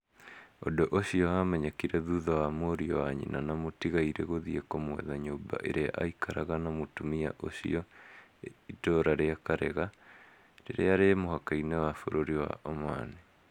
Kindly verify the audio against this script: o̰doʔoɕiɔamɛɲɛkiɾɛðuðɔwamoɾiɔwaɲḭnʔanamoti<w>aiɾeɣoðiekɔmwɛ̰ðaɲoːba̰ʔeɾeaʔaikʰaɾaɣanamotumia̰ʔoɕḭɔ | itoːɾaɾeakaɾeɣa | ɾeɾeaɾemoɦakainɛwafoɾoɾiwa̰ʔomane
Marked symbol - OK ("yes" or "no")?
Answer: no